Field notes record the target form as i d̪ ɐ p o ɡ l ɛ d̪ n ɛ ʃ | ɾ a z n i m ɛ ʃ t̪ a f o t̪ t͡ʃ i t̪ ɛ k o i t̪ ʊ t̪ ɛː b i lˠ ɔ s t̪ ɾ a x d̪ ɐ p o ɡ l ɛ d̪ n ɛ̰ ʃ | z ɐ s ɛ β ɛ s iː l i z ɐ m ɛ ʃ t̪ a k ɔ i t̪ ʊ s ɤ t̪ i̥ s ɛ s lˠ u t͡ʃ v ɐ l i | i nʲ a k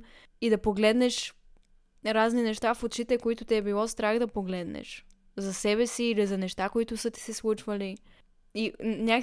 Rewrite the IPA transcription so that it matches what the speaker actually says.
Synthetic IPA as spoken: i d̪ ɐ p o ɡ l ɛ d̪ n ɛ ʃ | ɾ a z n i n ɛ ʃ t̪ a f o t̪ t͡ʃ i t̪ ɛ k o i t̪ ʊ t̪ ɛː b i lˠ ɔ s t̪ ɾ a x d̪ ɐ p o ɡ l ɛ d̪ n ɛ̰ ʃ | z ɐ s ɛ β ɛ s iː l i z ɐ n ɛ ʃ t̪ a k o i t̪ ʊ s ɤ t̪ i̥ s ɛ s lˠ u t͡ʃ v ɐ l i | i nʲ a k